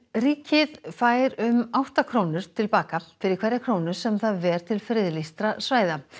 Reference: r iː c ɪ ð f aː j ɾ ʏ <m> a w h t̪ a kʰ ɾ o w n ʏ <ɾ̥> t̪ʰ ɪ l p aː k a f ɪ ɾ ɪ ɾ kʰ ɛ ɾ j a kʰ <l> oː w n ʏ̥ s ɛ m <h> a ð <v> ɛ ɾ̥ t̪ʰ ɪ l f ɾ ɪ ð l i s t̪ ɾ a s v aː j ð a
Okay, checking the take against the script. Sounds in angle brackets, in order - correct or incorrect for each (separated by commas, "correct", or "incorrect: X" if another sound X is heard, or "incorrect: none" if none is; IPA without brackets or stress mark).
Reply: correct, correct, incorrect: ɾ, incorrect: θ, correct